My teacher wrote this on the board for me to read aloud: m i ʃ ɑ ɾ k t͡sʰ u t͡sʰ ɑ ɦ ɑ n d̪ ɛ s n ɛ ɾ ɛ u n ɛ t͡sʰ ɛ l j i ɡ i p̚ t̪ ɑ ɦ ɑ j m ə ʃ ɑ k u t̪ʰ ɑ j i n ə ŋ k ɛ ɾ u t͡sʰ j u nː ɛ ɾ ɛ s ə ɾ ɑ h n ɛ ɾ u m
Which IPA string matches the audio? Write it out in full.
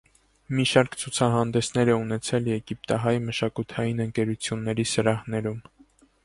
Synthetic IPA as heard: m i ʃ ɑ ɾ k t͡sʰ u t͡sʰ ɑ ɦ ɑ n d̪ ɛ s n ɛ ɾ ɛ u n ɛ t͡sʰ ɛ l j ɛ ɡ i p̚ t̪ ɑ ɦ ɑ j m ə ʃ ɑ k u t̪ʰ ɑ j i n ə ŋ k ɛ ɾ u t͡sʰ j u nː ɛ ɾ i s ə ɾ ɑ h n ɛ ɾ u m